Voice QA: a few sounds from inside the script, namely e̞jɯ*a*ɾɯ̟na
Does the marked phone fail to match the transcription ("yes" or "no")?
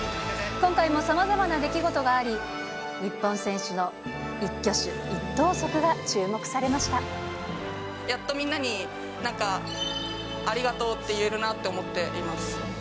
yes